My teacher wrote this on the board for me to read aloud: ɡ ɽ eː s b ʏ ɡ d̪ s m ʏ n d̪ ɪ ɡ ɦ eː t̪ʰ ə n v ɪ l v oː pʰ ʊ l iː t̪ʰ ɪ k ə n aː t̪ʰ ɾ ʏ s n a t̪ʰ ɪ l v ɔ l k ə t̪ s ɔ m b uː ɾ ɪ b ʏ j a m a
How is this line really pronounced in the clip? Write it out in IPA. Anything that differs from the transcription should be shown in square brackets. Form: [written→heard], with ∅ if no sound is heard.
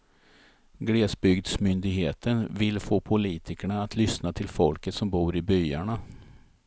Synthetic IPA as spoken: ɡ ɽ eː s b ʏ ɡ d̪ s m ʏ n d̪ ɪ ɡ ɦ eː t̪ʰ ə n v ɪ l [v→f] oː pʰ ʊ l iː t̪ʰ ɪ k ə [n→ɳ] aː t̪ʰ [ɾ→l] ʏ s n a t̪ʰ ɪ l [v→f] ɔ l k ə t̪ s ɔ m b uː ɾ ɪ b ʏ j a [m→ɳ] a

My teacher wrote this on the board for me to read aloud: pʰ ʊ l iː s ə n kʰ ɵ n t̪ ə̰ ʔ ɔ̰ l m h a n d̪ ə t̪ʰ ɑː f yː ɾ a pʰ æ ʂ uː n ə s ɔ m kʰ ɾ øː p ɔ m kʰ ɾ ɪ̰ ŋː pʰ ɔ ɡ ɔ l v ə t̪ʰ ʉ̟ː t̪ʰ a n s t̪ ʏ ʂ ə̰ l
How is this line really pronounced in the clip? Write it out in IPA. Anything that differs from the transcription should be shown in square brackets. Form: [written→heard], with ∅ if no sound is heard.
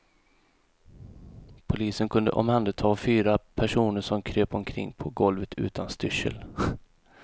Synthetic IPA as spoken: pʰ ʊ l iː s ə n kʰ ɵ n [t̪→d̪] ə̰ ʔ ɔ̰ [l→∅] m h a n d̪ ə t̪ʰ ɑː f yː ɾ a pʰ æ ʂ uː n ə [s→ʂ] ɔ m kʰ ɾ øː p ɔ m kʰ ɾ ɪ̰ ŋː pʰ ɔ ɡ ɔ l v ə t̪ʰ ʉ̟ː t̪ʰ a n s t̪ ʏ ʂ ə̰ l

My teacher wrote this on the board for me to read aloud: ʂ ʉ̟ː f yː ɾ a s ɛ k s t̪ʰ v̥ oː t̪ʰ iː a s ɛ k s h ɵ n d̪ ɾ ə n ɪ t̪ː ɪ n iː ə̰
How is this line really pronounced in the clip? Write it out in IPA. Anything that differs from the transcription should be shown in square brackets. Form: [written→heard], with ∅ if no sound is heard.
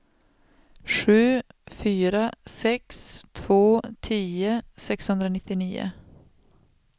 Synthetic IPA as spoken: ʂ ʉ̟ː f yː ɾ a s ɛ k s t̪ʰ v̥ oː t̪ʰ iː [a→ə] s ɛ k s h ɵ n d̪ ɾ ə n ɪ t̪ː ɪ n iː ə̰

